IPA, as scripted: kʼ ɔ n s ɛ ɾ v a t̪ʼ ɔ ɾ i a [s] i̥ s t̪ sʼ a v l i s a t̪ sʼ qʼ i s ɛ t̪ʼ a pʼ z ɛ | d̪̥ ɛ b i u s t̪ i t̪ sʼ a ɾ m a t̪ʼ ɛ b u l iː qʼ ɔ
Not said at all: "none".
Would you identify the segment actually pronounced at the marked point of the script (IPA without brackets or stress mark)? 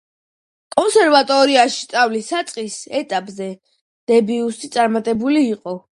ʃ